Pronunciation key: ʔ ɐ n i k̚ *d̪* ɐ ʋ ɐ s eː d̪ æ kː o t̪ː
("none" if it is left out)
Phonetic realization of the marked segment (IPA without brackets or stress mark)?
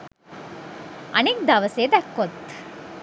d̪